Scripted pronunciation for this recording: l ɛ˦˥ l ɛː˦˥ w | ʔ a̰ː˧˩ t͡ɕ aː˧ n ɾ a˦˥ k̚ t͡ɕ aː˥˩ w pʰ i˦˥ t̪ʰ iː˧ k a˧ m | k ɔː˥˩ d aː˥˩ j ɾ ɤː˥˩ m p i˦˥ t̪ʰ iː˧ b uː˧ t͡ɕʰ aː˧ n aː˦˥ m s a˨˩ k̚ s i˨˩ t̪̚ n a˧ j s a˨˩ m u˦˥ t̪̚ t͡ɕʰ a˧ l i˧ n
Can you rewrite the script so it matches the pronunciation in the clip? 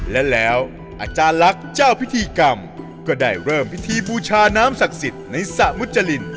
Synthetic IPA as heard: l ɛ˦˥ l ɛː˦˥ w | ʔ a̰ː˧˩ t͡ɕ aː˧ n l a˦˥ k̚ t͡ɕ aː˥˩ w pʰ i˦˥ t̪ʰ iː˧ k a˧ m | k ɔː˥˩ d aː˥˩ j ɾ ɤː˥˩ m p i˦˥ t̪ʰ iː˧ b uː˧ t͡ɕʰ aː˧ n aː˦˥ m s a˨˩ k̚ s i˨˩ t̪̚ n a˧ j s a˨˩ m u˦˥ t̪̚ t͡ɕ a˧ l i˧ n